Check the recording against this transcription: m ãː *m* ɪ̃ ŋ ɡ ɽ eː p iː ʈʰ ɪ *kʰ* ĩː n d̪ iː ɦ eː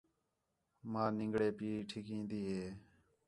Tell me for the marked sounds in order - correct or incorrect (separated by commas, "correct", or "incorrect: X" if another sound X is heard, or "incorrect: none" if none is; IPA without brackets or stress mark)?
incorrect: n, incorrect: k